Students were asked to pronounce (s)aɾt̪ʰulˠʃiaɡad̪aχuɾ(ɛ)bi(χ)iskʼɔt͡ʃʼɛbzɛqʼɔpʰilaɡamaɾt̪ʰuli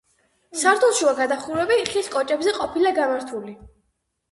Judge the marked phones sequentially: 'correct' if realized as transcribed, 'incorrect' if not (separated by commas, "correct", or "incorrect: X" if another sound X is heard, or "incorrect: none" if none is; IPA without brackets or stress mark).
correct, correct, correct